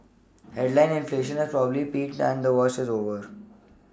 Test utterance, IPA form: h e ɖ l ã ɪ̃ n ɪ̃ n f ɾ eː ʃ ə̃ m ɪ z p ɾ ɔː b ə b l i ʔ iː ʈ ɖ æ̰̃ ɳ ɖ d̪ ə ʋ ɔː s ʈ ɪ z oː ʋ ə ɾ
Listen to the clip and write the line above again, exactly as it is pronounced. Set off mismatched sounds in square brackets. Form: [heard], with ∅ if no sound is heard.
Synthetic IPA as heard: h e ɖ l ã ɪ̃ n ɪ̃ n f [l] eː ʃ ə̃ [n] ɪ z p ɾ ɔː b ə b l i [p] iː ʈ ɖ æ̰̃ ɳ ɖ d̪ ə ʋ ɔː s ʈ ɪ z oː ʋ ə ɾ